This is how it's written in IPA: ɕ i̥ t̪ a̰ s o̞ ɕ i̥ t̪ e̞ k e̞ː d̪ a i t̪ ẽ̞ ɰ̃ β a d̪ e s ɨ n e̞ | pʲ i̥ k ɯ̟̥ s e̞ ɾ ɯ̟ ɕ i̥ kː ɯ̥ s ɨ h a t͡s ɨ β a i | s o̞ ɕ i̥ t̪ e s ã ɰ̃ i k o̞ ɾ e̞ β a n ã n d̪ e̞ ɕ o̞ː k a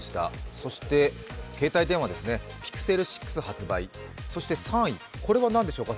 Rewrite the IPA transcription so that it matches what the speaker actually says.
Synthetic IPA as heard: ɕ i̥ t̪ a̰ s o̞ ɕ i̥ t̪ e̞ k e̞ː t̪ a i t̪ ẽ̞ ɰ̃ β a d̪ e s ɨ n e̞ | pʲ i̥ k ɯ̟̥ s e̞ ɾ ɯ̟ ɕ i̥ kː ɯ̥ s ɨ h a t͡s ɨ b a i | s o̞ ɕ i̥ t̪ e s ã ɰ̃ i k o̞ ɾ e̞ β a n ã n d̪ e̞ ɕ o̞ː k a